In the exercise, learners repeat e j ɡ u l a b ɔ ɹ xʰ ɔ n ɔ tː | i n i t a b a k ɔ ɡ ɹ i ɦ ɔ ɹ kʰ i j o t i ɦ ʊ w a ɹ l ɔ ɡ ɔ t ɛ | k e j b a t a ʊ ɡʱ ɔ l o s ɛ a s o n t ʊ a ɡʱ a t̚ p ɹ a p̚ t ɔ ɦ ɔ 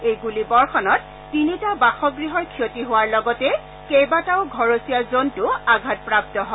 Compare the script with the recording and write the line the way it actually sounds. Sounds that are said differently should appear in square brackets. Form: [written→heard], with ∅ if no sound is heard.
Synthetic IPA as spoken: e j ɡ u l [a→i] b ɔ ɹ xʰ ɔ n ɔ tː | i n i t a b a [k→x] ɔ ɡ ɹ i ɦ ɔ ɹ kʰ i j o t i ɦ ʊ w a ɹ l ɔ ɡ ɔ t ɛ | k e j b a t a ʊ ɡʱ ɔ [l→ɹ] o s [ɛ→i] a [s→z] o n t ʊ a ɡʱ a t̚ p ɹ a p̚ t ɔ ɦ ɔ